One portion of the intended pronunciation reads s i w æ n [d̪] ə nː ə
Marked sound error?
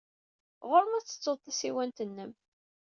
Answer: yes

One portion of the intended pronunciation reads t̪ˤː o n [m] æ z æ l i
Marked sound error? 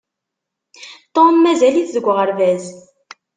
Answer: no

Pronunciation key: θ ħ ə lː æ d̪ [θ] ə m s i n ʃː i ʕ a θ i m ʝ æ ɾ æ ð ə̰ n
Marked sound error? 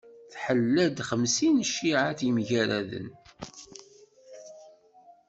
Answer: yes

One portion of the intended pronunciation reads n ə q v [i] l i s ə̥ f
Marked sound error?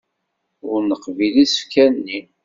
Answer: no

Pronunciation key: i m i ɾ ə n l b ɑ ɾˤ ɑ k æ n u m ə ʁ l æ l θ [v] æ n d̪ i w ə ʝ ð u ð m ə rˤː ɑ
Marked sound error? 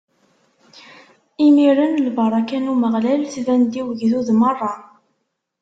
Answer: no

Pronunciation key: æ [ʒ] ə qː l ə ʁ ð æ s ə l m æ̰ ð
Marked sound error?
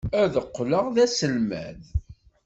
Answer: yes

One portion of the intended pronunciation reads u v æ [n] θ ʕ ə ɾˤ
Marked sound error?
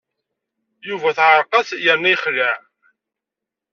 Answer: yes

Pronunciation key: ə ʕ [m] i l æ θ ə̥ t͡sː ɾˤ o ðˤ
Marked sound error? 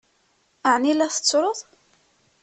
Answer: yes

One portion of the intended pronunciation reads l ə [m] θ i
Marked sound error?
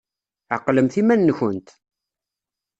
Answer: no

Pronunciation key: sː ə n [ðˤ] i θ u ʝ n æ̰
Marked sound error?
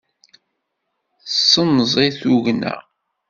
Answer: yes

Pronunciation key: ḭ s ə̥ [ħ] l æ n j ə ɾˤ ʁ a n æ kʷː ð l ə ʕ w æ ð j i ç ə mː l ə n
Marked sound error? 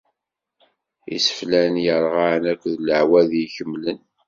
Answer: yes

